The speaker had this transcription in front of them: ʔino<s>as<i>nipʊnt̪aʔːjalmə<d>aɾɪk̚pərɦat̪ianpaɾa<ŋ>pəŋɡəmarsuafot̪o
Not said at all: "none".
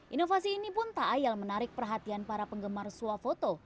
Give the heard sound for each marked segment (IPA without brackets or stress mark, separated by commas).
f, iː, n, none